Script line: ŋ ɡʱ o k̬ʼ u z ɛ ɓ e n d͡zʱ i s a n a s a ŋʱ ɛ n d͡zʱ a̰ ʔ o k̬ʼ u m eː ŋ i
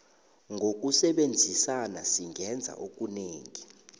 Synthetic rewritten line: ŋ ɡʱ o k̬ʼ u s ɛ ɓ e n d͡zʱ i s a n a s i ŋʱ ɛ n d͡zʱ a̰ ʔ o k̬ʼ u n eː ŋ i